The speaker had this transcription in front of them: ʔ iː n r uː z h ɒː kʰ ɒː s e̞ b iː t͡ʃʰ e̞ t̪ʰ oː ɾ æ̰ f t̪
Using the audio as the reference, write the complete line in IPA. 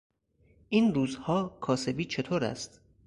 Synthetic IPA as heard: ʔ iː n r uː z h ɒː kʰ ɒː s e̞ b iː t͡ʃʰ e̞ t̪ʰ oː ɾ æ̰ s t̪